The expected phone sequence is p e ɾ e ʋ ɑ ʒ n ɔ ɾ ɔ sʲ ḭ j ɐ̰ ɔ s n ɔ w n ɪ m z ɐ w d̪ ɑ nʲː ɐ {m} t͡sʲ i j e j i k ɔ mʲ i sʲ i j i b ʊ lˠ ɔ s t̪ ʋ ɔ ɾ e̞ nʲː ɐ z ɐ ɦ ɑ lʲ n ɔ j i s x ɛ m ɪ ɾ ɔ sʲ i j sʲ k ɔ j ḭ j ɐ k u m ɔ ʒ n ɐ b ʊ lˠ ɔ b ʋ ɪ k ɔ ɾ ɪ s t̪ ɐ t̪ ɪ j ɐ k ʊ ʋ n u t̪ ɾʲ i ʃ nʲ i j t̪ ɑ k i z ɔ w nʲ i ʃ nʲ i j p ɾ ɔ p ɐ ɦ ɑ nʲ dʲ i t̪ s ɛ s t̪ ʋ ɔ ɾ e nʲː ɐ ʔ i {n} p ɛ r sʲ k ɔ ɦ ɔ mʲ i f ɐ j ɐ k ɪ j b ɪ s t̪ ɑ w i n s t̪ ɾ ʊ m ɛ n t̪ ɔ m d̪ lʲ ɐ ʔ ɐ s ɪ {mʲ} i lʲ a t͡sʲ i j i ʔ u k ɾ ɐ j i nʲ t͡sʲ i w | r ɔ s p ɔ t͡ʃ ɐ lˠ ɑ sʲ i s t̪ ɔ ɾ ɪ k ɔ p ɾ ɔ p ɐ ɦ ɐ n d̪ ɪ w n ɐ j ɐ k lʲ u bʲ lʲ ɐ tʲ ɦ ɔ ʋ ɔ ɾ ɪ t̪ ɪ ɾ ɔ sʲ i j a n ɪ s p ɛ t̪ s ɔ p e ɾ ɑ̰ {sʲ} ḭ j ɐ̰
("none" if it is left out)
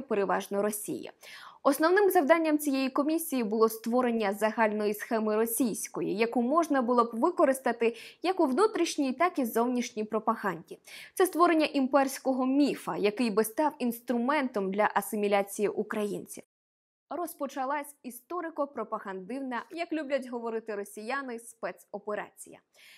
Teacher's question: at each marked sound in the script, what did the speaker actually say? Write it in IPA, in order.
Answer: m, m, mʲ, t͡sʲ

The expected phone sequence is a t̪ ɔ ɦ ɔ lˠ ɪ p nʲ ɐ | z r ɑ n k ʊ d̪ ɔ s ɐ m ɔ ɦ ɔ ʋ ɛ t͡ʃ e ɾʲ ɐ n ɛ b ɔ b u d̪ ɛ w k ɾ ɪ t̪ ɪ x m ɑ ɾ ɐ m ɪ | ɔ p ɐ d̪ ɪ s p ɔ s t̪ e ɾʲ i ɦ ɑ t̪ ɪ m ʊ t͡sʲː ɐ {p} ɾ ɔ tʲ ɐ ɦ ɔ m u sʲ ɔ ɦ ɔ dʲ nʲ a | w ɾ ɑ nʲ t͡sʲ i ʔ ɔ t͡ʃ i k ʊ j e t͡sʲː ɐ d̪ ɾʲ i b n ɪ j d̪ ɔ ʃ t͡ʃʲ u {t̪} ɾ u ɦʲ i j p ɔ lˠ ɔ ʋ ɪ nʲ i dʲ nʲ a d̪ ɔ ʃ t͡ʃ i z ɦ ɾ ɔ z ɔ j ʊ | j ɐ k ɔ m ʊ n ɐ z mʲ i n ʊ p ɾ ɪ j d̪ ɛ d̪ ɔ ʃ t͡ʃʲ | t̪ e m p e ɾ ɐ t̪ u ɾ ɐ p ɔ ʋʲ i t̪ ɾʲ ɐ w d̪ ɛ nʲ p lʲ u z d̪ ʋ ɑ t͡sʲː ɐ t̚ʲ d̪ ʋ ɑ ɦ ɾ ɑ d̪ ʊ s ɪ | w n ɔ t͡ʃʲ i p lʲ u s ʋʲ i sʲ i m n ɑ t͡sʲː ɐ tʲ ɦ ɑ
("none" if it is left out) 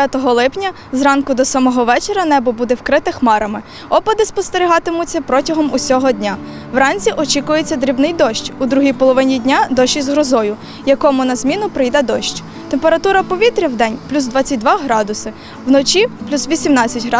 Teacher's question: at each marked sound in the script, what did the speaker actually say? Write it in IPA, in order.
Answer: p, d̪

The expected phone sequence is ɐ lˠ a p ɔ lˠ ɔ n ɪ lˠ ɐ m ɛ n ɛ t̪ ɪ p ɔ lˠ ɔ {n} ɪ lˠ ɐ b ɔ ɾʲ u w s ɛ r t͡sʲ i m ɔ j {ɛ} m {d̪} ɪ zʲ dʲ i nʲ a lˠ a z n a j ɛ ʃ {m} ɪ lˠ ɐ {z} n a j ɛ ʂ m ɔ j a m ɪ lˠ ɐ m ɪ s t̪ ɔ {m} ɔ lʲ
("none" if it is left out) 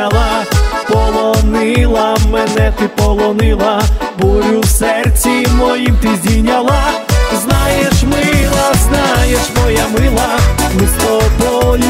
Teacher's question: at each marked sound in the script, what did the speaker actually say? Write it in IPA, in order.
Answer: n, i, t̪, m, z, b

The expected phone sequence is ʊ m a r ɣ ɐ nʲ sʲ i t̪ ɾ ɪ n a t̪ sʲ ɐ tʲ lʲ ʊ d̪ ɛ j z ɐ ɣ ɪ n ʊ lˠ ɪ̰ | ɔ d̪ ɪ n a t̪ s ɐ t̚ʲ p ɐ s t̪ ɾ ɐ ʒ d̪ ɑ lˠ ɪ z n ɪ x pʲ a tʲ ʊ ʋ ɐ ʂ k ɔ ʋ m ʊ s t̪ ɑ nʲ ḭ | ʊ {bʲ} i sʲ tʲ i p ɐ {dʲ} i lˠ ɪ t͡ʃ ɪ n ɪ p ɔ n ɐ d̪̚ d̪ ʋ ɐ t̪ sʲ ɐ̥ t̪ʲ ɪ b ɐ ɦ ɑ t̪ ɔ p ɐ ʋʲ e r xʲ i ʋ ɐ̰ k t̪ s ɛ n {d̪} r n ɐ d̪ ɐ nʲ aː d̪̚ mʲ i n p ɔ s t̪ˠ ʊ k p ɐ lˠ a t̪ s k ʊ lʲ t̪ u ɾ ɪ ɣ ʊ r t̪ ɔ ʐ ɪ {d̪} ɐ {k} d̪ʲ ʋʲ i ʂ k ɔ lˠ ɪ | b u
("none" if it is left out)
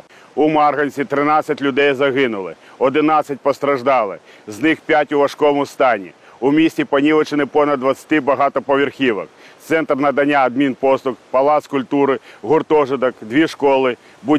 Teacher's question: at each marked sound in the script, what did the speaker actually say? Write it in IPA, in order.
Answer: mʲ, nʲ, t̪, d̪, k

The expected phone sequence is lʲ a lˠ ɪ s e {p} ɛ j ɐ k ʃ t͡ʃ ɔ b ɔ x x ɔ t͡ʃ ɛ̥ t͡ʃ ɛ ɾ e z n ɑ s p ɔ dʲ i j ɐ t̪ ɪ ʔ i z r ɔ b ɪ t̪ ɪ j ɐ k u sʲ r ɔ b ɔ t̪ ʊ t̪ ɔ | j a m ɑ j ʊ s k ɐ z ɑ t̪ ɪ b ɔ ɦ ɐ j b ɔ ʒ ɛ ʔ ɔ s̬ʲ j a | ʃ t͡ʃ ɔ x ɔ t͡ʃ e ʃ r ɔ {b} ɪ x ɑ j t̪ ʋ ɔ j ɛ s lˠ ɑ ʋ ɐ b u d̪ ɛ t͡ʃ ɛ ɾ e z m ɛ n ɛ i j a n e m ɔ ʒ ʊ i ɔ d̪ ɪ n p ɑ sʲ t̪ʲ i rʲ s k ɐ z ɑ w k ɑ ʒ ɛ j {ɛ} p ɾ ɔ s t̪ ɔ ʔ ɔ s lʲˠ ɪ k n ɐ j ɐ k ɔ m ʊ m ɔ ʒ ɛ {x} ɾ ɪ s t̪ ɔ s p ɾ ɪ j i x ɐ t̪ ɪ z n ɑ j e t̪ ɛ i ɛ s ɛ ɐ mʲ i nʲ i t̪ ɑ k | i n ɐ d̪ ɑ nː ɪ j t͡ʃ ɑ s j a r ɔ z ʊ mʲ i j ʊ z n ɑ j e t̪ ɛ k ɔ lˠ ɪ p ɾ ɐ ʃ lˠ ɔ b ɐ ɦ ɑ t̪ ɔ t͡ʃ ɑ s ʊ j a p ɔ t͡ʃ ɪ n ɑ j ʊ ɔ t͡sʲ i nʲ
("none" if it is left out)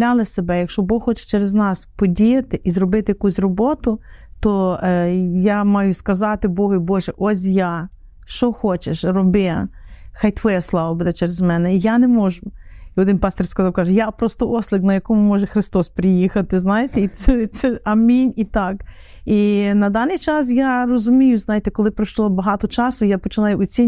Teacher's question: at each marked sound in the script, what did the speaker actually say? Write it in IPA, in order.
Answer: b, b, a, x

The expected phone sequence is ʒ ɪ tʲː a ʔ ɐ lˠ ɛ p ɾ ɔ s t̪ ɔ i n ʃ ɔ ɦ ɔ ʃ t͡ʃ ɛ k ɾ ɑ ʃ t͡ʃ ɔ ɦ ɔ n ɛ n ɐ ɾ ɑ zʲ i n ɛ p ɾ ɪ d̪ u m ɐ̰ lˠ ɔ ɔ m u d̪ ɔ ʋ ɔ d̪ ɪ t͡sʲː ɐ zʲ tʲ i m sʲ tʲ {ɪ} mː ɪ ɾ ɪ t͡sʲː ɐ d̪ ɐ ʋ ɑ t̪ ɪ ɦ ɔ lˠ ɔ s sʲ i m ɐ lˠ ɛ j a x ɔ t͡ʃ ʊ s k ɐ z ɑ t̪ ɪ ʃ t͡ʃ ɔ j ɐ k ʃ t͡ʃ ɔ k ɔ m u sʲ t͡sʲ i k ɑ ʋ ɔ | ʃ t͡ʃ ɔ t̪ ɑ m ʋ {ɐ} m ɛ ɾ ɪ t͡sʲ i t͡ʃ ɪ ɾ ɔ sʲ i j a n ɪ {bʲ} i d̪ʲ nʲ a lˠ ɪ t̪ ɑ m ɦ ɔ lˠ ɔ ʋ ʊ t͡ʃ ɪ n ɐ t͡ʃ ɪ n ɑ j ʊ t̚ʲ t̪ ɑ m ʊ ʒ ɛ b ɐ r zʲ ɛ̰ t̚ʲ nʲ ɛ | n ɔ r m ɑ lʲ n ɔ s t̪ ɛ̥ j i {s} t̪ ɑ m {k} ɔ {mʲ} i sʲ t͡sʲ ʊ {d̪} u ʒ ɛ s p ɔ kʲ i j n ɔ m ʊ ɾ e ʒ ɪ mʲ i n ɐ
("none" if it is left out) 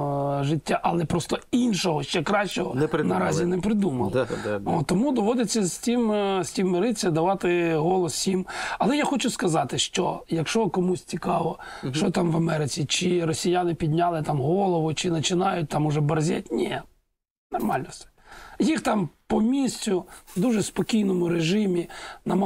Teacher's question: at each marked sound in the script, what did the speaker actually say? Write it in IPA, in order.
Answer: i, ɐ, pʲ, x, p, mʲ, d̪

